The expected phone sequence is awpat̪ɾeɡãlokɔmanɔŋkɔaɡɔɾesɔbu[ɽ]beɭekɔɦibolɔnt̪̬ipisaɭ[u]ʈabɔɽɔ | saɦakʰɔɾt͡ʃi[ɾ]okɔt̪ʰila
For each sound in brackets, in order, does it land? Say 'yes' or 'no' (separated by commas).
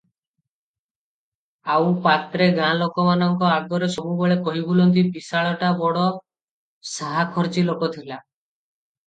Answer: no, no, no